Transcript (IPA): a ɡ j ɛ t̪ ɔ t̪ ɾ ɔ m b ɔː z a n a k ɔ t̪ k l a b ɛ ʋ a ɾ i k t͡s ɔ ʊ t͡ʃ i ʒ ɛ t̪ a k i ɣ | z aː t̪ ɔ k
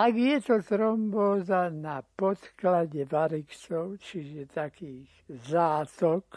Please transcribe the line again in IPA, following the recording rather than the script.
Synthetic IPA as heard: a ɡ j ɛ t̪ ɔ t̪ ɾ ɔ m b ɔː z a n a p ɔ t̪ k l a ɟ ɛ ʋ a ɾ i k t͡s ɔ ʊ t͡ʃ i ʒ ɛ t̪ a k iː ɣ | z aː t̪ ɔ k